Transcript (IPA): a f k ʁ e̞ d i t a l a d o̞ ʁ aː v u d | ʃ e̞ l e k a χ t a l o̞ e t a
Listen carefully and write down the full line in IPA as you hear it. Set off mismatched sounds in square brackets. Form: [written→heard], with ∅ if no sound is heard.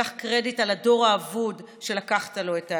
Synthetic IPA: a [f→χ] k ʁ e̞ d i t a l a d o̞ ʁ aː v u d | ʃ e̞ l [e→a] k a χ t a l o̞ e t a

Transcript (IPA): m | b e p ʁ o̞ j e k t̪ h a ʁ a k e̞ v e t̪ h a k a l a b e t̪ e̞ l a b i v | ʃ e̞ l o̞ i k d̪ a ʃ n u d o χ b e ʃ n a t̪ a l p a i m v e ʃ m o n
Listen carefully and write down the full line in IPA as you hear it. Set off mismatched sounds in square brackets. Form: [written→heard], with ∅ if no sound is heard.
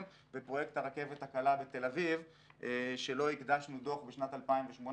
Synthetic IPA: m | b e p ʁ o̞ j e k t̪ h a ʁ a k e̞ v e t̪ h a k a l a b e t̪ e̞ l a [b→v] i v | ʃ e̞ l o̞ i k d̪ a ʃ n u d o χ b e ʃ n a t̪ a l p a i m v e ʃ m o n

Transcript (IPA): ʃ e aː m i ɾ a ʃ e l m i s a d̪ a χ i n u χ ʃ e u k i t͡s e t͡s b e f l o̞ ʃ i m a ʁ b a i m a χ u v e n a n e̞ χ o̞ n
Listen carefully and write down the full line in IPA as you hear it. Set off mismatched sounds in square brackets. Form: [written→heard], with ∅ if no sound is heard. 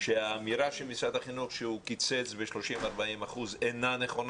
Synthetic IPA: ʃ e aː m i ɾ a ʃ e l m i s a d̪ a χ i n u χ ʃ e u k i t͡s e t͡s b e [f→ʃ] l o̞ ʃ i m a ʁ b a i m a χ u [v→z] e n a n e̞ χ o̞ n

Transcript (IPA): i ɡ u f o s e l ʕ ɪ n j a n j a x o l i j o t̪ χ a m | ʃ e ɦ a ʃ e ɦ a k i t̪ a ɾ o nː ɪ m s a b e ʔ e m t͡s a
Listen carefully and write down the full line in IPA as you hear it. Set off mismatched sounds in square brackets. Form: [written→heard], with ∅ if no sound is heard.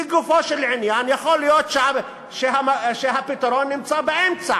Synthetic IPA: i ɡ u f o [s→ʃ] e l ʕ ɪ n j a n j a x o l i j o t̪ [χ→ʃ] a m | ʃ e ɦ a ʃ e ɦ a [k→p] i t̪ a ɾ o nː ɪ m [s→t͡s] a b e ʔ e m t͡s a

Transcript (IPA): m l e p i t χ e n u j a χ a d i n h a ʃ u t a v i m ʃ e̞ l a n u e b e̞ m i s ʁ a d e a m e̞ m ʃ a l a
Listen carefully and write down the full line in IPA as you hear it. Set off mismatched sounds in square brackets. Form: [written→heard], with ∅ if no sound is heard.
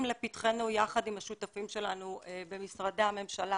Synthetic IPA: m l e p i t χ e n u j a χ a d i [n→m] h a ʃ u t a [v→f] i m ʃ e̞ l a n u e b e̞ m i s ʁ a d e a m e̞ m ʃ a l a

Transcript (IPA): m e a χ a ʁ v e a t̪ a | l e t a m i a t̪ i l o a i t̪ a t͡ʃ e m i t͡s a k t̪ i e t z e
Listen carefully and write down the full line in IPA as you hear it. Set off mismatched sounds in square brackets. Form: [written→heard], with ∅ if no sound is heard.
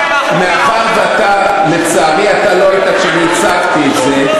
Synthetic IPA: m e a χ a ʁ v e a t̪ a | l e [t→t͡s] a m i a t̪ [i→a] l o a i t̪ a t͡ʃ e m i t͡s a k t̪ i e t z e

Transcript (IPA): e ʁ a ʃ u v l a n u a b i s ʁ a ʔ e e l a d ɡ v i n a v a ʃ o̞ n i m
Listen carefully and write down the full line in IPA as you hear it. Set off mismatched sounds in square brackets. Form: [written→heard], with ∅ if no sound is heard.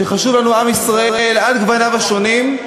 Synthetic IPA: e [ʁ→χ] a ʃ u v l a n u a [b→m] i s ʁ a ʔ e e l a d ɡ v [i→a] n a v a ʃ o̞ n i m

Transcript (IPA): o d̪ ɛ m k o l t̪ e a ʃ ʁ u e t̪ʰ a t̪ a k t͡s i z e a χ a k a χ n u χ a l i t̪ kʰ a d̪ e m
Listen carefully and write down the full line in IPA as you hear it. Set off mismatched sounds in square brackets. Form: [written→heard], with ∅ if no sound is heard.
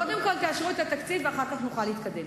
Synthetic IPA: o d̪ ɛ m k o l t̪ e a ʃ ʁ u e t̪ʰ a t̪ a k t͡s i [z→v] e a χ a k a χ n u χ a l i t̪ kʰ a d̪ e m

